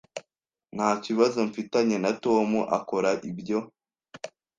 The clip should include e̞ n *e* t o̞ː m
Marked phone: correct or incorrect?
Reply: incorrect